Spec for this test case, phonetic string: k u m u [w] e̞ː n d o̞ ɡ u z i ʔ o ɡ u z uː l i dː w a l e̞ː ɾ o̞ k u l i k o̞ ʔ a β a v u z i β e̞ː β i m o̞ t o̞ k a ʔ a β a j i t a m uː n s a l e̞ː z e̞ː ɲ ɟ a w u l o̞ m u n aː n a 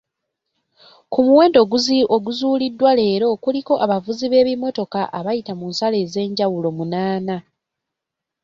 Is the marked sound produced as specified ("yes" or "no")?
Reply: yes